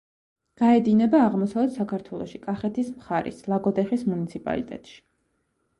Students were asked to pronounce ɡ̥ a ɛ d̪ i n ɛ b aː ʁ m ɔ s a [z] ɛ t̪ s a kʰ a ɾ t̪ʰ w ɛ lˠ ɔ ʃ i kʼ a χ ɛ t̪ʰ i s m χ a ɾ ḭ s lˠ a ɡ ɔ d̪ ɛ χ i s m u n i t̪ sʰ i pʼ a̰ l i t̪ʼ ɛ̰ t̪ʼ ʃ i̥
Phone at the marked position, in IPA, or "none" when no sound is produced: v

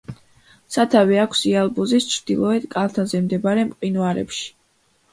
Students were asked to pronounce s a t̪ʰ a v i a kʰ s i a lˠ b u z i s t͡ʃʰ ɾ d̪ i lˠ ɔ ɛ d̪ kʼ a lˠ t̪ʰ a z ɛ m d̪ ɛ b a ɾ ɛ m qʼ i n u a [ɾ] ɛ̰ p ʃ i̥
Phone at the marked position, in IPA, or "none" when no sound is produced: ɾ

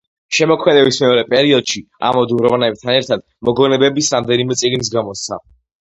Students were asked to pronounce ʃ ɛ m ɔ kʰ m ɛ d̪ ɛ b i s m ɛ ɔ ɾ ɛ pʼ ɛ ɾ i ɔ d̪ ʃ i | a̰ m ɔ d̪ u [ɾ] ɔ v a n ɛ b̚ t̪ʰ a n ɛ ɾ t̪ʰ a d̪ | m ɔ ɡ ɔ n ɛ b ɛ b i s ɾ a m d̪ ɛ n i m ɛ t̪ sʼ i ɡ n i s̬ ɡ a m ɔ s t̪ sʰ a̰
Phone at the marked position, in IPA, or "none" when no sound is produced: ɾ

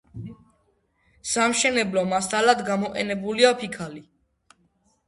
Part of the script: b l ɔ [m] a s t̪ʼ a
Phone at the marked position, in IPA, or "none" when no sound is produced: m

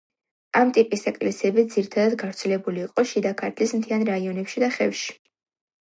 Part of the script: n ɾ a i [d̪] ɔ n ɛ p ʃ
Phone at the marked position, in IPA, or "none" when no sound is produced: none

